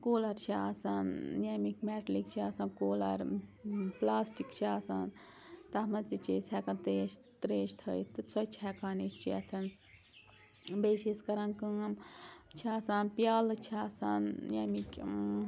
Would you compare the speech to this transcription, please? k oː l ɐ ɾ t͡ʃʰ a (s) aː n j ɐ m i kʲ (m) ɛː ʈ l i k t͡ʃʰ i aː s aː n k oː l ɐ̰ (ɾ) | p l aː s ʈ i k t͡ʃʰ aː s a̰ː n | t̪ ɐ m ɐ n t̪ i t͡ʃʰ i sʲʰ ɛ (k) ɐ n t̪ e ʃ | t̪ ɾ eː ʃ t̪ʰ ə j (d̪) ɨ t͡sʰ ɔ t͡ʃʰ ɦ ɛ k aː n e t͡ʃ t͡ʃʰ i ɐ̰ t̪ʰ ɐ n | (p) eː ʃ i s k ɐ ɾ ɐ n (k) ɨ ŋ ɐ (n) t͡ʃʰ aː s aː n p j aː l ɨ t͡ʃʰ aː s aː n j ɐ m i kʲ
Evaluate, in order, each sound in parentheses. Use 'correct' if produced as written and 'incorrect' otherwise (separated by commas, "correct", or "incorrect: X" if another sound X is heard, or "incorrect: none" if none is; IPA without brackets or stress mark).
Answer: correct, correct, correct, correct, incorrect: t̪, incorrect: b, correct, incorrect: m